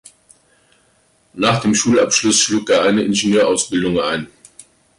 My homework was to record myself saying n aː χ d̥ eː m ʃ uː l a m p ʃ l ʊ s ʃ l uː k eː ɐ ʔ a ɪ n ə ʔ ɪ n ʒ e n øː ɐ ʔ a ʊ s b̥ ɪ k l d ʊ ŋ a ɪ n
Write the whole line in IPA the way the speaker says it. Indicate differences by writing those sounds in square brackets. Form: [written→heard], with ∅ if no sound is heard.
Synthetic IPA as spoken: n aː χ d̥ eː m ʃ uː l a [m→∅] p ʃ l ʊ s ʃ l uː k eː ɐ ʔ a ɪ n ə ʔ ɪ n ʒ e n øː ɐ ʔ a ʊ s b̥ ɪ [k→∅] l d ʊ ŋ a ɪ n